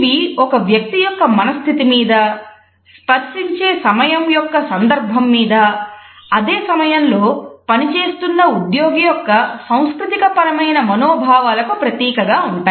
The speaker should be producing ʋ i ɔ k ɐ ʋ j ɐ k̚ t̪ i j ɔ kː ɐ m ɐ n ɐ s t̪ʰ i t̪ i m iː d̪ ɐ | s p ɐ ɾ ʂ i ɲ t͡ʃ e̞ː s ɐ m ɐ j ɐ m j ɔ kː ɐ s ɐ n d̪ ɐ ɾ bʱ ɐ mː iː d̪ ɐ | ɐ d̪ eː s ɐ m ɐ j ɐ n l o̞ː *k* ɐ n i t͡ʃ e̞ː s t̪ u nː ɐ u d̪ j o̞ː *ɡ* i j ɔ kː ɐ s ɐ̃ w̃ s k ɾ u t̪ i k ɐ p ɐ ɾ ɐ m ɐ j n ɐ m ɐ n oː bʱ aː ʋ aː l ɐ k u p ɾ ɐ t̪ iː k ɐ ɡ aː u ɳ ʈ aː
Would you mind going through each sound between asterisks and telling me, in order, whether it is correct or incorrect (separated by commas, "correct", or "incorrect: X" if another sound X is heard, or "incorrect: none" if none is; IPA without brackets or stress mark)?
incorrect: p, correct